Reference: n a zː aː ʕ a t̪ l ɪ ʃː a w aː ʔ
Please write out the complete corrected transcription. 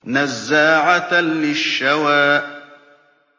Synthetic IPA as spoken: n a zː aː ʕ a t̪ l ɪ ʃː a w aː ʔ